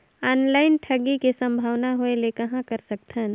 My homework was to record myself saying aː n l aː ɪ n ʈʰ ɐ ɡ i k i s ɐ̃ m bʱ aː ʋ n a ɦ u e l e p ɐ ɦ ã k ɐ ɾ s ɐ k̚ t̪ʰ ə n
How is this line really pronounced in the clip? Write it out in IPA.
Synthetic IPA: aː n l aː ɪ n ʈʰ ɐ ɡ i k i s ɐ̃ m bʱ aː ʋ n a ɦ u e l e k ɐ ɦ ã k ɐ ɾ s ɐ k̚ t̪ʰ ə n